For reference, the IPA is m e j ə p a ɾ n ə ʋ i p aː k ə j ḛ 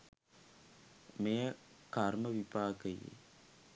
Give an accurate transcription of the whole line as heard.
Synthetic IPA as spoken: m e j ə k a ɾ m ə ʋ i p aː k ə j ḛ